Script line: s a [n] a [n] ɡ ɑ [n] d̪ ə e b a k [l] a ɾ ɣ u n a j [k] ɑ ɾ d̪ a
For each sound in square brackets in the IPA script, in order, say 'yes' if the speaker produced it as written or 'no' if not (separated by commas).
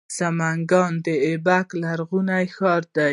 no, no, yes, yes, no